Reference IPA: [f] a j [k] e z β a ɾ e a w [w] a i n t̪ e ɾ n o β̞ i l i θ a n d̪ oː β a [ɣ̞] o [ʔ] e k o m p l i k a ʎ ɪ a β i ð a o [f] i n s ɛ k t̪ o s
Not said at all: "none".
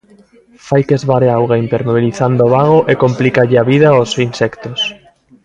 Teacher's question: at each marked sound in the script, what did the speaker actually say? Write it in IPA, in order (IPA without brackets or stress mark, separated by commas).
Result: f, k, ɣ, ɣ̞, ʔ, s